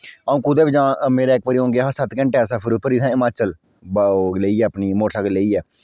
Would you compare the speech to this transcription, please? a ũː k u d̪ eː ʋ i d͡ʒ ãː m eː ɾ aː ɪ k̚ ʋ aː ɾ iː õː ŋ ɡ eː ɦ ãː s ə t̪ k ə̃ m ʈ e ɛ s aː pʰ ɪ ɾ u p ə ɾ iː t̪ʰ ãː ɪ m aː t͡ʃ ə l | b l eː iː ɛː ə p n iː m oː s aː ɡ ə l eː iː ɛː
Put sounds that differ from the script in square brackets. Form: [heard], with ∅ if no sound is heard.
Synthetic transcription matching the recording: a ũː k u d̪ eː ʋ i d͡ʒ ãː m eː ɾ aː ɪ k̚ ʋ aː ɾ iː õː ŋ ɡ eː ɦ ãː s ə t̪ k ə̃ [ɳ] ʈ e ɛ s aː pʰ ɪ ɾ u p ə ɾ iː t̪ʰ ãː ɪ m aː t͡ʃ ə l | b l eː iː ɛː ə p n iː m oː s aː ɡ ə l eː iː ɛː